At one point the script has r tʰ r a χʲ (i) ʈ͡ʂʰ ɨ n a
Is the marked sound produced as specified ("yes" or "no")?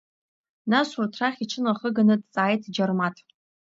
yes